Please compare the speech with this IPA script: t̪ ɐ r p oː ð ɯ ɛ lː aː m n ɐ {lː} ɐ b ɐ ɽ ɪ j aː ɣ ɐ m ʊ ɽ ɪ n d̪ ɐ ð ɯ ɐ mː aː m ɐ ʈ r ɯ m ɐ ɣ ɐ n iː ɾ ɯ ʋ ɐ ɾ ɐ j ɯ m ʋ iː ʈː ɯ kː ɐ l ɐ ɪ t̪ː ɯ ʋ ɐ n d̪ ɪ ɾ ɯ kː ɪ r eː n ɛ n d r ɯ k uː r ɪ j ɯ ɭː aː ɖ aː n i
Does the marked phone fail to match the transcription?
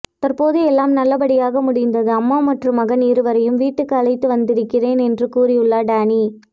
no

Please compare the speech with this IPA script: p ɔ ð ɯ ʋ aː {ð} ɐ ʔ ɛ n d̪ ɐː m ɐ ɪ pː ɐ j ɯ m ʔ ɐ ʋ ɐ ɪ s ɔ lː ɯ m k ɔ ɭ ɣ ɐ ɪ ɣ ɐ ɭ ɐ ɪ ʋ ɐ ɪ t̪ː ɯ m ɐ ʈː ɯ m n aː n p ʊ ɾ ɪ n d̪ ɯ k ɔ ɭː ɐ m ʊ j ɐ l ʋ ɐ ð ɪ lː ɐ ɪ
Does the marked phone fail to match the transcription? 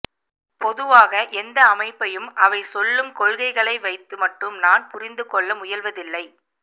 yes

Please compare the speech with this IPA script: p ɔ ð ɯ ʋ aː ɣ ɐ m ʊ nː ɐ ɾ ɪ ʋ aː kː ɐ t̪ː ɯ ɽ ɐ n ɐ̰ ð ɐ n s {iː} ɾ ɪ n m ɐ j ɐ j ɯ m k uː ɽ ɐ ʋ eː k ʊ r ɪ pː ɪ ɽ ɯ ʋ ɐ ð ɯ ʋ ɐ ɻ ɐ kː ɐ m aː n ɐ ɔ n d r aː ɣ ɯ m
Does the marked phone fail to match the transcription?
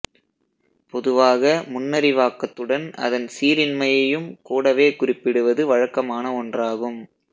no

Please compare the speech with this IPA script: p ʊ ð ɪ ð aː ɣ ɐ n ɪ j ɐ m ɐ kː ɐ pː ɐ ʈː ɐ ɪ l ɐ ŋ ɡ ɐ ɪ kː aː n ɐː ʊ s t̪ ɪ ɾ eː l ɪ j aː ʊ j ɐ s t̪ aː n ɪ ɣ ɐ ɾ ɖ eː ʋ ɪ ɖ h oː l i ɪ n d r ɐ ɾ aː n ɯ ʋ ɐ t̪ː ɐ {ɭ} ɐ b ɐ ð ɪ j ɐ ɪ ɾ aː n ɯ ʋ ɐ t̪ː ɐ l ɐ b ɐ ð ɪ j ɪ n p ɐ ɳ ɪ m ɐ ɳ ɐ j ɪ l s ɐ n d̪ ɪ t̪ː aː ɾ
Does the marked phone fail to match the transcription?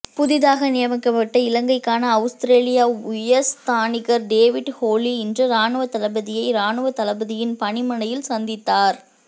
yes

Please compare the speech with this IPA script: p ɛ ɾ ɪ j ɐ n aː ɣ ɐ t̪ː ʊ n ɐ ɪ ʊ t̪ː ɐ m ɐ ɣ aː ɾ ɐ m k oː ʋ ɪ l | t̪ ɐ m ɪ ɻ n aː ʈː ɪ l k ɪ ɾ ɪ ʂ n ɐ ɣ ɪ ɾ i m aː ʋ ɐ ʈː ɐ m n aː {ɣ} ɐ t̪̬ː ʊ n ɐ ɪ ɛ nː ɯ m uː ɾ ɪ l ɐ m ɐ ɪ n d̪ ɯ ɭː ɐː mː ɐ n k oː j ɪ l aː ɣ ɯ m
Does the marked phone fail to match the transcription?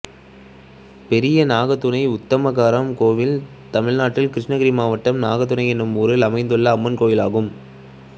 no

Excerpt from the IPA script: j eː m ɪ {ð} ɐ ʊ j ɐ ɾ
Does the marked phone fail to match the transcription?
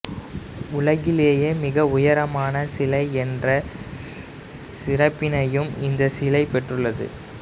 yes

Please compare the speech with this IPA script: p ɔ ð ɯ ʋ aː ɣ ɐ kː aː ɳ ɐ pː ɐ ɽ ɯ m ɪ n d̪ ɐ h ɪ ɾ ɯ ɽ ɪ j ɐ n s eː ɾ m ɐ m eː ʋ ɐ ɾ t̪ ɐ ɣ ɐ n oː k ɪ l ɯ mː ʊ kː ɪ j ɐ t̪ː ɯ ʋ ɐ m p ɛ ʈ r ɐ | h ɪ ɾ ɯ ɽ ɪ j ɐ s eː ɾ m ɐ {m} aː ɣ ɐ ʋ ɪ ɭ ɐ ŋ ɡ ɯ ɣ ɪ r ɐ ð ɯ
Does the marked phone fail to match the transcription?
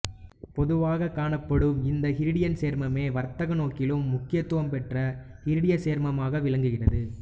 no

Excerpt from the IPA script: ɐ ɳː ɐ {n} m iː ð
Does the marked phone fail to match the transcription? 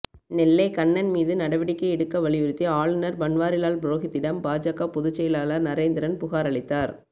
no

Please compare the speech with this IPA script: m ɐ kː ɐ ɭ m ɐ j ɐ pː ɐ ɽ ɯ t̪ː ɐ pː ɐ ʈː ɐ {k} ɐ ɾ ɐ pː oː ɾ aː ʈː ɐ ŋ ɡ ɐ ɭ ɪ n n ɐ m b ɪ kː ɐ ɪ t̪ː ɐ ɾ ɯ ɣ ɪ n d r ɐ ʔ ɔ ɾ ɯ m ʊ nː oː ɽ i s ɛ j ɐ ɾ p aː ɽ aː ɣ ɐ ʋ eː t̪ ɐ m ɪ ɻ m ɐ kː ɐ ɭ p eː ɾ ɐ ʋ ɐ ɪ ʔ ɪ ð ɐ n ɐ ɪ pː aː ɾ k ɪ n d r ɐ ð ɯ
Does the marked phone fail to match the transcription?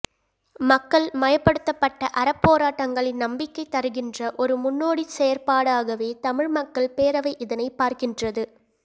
yes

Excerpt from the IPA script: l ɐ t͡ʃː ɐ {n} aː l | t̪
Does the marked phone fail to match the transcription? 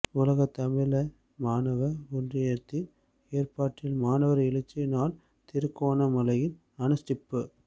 no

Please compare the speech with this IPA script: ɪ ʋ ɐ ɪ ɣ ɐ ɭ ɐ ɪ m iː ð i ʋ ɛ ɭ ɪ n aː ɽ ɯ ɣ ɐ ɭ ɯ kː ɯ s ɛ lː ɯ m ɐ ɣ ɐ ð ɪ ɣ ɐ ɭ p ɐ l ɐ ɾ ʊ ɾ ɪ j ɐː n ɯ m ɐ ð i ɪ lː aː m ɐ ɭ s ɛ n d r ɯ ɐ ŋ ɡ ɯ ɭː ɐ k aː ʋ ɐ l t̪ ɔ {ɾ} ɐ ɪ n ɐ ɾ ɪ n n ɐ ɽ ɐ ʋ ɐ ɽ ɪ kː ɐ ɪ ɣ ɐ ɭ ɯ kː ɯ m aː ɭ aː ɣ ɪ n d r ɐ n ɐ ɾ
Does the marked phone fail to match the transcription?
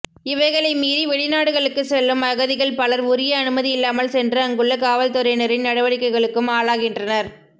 no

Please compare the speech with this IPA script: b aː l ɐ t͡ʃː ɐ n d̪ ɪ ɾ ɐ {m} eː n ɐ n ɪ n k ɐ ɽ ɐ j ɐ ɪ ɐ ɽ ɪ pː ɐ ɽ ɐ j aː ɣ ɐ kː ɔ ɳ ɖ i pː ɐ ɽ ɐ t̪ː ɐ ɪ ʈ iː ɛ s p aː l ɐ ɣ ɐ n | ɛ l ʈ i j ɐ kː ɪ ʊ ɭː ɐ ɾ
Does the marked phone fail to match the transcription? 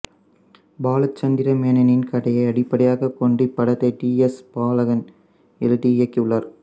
no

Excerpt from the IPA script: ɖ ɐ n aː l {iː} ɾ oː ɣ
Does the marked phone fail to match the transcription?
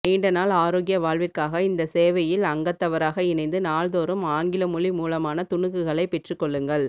yes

